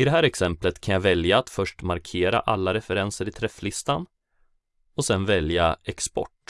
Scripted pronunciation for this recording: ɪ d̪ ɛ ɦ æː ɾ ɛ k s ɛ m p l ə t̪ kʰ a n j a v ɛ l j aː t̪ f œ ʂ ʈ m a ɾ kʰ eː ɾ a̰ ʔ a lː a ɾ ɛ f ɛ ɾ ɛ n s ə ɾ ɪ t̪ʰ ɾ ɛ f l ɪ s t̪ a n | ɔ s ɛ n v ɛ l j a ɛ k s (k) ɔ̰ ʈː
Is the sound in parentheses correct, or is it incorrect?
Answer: incorrect